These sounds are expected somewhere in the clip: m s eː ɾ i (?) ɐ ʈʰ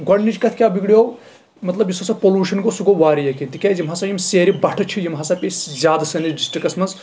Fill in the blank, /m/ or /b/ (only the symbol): b